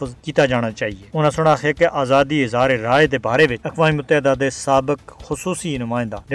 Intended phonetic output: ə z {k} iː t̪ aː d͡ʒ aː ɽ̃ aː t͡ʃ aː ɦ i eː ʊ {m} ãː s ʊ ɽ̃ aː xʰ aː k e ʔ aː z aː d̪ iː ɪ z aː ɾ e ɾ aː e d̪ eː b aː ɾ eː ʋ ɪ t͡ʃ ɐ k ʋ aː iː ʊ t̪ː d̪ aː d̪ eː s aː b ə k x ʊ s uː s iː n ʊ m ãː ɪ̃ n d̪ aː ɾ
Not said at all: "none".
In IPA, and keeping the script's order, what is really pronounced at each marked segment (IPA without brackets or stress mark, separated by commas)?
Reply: k, n